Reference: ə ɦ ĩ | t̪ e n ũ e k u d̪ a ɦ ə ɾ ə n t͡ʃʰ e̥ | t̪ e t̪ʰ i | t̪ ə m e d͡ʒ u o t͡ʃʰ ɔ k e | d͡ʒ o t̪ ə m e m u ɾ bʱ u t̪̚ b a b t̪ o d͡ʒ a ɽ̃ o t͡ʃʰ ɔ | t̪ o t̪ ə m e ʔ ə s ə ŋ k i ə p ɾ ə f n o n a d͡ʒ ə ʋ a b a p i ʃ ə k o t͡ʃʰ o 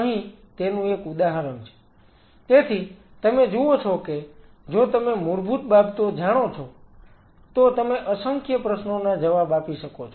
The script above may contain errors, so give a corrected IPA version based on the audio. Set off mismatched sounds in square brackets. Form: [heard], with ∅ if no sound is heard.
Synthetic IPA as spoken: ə ɦ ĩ | t̪ e n ũ e k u d̪ a ɦ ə ɾ ə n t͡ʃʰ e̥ | t̪ e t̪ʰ i | t̪ ə m e d͡ʒ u o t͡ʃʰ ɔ k e | d͡ʒ o t̪ ə m e m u ɾ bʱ u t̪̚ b a b t̪ o d͡ʒ a ɽ̃ o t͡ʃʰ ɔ | t̪ o t̪ ə m e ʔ ə s ə ŋ k [j] ə p ɾ ə [ʃ] n o n a d͡ʒ ə ʋ a b a p i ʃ ə k o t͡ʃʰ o